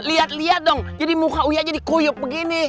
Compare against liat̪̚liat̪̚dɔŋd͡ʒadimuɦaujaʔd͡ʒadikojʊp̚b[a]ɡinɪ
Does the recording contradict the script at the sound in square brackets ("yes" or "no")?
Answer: yes